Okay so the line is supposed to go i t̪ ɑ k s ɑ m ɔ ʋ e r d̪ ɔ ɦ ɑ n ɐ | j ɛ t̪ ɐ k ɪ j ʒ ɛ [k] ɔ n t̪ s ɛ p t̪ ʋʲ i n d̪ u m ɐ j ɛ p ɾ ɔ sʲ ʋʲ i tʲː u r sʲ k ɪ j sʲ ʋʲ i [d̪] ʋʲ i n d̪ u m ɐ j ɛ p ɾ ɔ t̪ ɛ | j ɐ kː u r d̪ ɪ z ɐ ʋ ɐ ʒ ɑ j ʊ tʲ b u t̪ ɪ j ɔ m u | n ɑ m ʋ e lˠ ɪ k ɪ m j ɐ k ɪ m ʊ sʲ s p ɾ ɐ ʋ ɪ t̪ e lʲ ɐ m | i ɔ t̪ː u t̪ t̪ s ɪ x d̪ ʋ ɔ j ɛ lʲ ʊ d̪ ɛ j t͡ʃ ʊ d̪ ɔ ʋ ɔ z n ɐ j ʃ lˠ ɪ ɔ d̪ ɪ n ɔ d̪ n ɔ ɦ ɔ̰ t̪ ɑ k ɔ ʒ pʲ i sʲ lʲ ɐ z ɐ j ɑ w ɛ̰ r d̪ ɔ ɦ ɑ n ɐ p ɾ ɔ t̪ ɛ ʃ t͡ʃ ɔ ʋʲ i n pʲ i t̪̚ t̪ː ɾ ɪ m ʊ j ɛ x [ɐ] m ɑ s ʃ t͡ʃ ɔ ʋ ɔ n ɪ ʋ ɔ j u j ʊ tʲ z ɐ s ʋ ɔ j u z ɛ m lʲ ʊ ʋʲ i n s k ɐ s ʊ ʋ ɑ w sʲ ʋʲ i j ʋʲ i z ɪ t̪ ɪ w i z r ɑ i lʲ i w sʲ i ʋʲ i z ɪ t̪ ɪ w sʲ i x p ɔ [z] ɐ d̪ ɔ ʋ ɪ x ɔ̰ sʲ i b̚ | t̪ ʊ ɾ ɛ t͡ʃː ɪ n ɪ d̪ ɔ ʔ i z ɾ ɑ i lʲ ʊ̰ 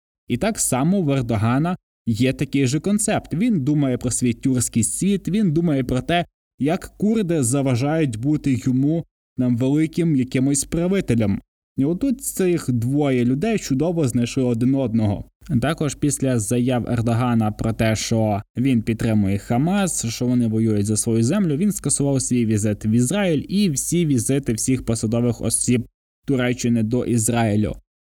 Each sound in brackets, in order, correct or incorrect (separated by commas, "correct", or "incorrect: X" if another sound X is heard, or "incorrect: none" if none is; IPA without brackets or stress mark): correct, incorrect: t̪, correct, incorrect: s